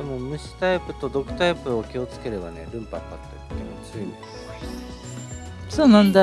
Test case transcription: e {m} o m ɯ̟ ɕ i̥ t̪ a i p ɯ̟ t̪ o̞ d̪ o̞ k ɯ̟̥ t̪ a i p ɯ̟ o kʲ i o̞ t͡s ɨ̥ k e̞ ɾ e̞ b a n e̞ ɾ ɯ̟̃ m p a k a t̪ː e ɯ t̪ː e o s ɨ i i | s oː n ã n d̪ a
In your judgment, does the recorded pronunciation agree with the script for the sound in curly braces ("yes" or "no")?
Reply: yes